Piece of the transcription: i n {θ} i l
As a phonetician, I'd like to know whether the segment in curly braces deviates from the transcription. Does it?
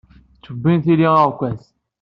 no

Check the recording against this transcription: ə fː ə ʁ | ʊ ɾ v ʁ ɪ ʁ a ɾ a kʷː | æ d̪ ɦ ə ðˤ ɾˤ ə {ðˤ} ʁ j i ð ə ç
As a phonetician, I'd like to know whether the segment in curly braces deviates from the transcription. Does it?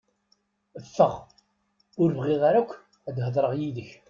yes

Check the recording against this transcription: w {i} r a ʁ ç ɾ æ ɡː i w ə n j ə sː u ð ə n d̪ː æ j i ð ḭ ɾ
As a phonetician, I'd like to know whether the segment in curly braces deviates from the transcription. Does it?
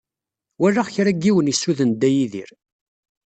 yes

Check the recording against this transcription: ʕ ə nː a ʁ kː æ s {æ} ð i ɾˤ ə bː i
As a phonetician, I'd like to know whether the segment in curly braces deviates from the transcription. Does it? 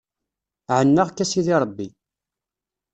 yes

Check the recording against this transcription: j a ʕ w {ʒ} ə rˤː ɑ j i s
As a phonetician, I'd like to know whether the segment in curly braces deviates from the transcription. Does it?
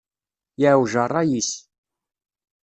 no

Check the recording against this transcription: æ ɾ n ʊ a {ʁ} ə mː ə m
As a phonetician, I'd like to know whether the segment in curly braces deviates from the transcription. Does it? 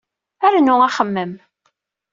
yes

